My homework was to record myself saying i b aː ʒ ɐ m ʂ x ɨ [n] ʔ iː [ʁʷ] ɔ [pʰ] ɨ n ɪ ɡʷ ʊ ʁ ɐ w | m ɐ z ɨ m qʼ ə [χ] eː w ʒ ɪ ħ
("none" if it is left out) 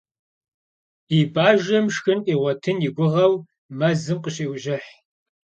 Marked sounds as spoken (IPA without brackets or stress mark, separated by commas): n, ʁʷ, tʰ, ɕ